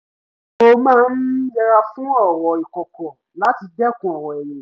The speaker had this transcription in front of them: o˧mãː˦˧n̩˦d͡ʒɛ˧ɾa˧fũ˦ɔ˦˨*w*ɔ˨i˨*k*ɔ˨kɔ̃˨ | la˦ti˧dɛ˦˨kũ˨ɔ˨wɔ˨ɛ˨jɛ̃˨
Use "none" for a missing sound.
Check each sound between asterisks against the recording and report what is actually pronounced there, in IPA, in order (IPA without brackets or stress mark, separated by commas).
w, k